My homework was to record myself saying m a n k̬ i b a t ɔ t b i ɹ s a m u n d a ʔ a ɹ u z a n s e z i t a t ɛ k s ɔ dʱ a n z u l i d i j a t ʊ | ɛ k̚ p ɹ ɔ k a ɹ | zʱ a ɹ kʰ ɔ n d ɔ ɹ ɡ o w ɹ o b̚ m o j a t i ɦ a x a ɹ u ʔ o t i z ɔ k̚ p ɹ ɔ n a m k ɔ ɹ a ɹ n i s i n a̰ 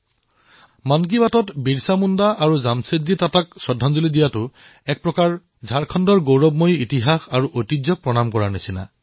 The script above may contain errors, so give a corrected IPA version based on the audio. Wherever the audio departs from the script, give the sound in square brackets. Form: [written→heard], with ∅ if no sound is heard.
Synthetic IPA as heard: m a n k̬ i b a t ɔ t b i ɹ s a m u n d a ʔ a ɹ u z a [n→m] s e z i t a t [ɛ→a] k s ɔ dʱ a n z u l i d i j a t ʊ | ɛ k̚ p ɹ ɔ k a ɹ | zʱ a ɹ kʰ ɔ n d ɔ ɹ ɡ o w ɹ [o→ɔ] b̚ m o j [a→i] t i ɦ a x a ɹ u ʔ o t i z ɔ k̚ p ɹ ɔ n a m k ɔ ɹ a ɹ n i s i n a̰